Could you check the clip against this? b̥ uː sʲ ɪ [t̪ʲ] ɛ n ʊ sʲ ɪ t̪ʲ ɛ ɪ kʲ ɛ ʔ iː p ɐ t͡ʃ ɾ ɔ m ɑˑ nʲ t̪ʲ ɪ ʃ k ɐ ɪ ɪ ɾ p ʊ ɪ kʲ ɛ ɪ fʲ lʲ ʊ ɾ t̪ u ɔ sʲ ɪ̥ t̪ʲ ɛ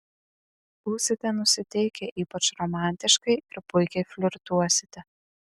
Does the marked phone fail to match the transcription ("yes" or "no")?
no